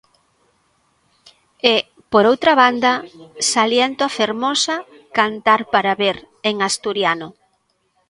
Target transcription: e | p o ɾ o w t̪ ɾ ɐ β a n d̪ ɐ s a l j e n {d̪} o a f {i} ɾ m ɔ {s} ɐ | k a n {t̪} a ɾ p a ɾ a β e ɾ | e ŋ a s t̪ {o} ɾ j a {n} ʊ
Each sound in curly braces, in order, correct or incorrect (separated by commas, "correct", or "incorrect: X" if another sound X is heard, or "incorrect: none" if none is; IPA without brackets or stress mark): incorrect: t̪, incorrect: e, correct, correct, incorrect: u, correct